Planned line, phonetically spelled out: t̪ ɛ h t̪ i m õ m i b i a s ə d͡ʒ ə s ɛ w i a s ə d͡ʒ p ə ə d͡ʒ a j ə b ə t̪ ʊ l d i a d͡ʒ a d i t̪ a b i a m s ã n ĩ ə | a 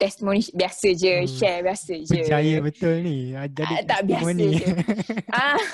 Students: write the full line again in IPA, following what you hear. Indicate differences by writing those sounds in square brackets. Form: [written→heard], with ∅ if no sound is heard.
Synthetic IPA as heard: t̪ ɛ [h→s] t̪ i m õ [m→n] i b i a s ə d͡ʒ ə [s→ʃ] ɛ [w→b] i a s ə d͡ʒ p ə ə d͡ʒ a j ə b ə t̪ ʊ l [d→n] i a d͡ʒ a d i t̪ a b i a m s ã n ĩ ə | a